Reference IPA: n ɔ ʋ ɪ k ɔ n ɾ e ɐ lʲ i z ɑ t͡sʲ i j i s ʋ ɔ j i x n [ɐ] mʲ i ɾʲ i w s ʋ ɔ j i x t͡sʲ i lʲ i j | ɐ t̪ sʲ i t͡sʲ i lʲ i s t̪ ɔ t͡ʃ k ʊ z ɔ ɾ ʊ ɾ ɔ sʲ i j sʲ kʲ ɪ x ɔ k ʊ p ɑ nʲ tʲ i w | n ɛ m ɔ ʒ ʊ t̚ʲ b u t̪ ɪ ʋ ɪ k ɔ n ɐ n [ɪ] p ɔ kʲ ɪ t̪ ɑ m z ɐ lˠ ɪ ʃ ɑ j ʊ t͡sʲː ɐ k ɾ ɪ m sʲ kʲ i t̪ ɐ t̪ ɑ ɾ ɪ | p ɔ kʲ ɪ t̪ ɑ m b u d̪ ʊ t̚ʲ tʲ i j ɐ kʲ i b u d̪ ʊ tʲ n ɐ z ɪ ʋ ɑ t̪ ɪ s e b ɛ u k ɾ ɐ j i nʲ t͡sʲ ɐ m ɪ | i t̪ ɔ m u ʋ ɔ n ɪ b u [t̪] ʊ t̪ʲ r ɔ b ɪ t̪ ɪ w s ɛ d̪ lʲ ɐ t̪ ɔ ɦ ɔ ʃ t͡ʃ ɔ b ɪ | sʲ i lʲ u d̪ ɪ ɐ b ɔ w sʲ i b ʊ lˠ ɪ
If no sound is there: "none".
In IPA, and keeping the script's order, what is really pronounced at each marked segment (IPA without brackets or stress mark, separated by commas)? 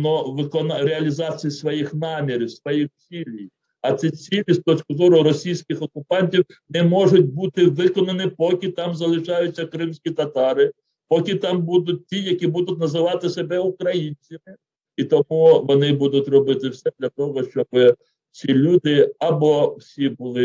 ɑ, ɪ, d̪